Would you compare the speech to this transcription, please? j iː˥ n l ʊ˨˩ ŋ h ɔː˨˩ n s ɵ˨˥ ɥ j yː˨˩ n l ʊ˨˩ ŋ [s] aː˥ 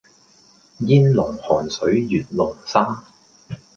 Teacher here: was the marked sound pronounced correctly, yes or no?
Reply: yes